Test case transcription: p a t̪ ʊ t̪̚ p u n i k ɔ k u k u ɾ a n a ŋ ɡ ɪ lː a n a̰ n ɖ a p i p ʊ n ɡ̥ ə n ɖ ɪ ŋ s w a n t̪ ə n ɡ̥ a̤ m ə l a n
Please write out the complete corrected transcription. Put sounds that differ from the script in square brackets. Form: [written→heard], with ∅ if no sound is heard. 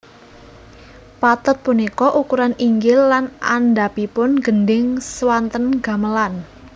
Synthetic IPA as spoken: p a t̪ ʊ t̪̚ p u n i k ɔ [k→ʔ] u k u ɾ a n [a→i] ŋ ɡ ɪ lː a n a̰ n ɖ a p i p ʊ n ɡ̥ ə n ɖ ɪ ŋ s w a n t̪ ə n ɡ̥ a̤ m ə l a n